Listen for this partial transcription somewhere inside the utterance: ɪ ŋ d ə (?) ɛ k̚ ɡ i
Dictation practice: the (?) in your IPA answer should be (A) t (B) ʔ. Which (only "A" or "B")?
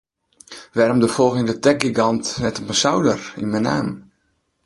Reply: A